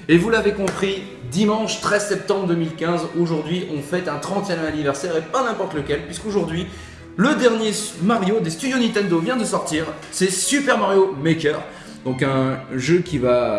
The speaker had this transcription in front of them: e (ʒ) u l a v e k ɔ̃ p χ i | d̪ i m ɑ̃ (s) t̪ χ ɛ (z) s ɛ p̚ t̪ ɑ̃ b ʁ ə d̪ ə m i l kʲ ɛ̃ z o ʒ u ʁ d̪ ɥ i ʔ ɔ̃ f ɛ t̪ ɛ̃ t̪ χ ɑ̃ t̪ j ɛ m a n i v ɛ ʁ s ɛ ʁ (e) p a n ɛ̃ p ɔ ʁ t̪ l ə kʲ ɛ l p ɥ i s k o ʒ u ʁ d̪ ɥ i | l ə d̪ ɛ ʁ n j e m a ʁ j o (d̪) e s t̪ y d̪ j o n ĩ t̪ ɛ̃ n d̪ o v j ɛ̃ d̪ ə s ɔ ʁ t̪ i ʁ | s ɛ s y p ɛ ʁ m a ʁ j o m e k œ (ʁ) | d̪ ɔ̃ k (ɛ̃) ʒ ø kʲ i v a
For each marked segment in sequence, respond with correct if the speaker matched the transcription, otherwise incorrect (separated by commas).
incorrect, incorrect, correct, correct, correct, correct, correct